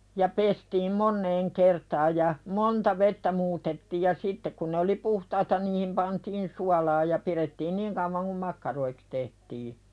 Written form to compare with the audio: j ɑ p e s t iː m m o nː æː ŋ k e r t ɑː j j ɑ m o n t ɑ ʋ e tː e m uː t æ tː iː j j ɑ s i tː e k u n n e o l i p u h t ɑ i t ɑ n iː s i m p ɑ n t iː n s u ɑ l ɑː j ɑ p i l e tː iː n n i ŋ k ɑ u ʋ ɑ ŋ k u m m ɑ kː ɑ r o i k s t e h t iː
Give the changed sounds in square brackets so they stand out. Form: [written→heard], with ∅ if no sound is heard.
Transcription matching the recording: j ɑ p e s t iː m m o nː [æː→eː] ŋ k e r t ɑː j j ɑ m o n t ɑ ʋ e tː [e→æ] m uː t [æ→e] tː iː j j ɑ s i tː e k u n n e o l i p u h t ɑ i t ɑ n iː [s→h] i m p ɑ n t iː n s u ɑ l ɑː j ɑ p i [l→r] e tː iː n n i ŋ k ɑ u ʋ ɑ ŋ k u m m ɑ kː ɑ r o i k s t e h t iː